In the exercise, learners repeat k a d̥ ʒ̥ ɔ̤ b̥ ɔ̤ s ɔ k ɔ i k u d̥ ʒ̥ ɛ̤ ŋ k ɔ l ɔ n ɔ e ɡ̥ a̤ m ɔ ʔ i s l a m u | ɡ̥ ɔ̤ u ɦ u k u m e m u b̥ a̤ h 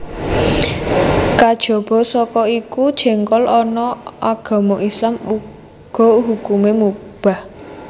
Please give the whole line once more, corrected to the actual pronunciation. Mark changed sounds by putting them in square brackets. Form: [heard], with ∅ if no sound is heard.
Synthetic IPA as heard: k a d̥ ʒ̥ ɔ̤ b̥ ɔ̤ s ɔ k ɔ i k u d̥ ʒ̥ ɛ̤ ŋ k ɔ l ɔ n ɔ [a] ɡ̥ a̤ m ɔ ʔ i s l a m u | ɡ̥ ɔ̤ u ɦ u k u m e m u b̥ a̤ h